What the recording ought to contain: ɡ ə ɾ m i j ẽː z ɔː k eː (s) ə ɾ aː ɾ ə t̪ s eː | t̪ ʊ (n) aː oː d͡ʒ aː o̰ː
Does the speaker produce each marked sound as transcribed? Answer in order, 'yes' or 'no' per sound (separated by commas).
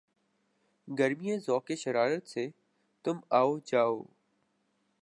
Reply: no, no